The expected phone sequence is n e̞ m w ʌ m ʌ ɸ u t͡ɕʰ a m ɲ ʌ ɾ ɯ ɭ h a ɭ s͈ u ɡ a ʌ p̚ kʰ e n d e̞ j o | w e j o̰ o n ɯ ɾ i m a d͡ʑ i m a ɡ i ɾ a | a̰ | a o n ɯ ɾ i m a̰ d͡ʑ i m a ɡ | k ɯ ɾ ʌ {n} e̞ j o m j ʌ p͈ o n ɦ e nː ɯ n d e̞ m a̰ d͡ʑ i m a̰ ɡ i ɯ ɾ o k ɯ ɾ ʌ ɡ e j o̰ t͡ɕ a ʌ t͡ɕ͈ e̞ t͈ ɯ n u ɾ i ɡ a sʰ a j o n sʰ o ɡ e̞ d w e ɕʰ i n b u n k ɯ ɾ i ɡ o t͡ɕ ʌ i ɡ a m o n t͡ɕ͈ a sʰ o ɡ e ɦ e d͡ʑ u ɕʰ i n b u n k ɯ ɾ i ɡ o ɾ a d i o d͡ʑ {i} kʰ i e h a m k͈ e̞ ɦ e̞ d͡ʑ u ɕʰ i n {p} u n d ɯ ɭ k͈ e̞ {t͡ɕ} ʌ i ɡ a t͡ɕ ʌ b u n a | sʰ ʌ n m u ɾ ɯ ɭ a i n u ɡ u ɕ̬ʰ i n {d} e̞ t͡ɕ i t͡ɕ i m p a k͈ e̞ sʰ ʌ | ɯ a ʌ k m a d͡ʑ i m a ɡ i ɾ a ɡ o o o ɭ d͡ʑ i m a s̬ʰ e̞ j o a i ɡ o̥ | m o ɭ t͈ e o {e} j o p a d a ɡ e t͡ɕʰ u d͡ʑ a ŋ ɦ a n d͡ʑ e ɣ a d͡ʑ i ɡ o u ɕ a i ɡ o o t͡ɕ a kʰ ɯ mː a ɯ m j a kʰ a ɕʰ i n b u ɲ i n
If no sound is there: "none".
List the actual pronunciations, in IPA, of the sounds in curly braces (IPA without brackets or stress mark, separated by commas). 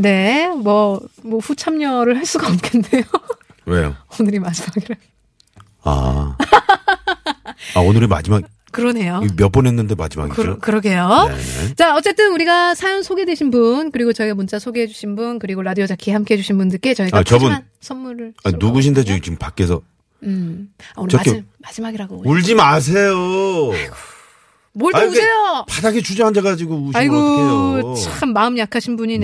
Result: n, a, b, t͡ɕ, d, e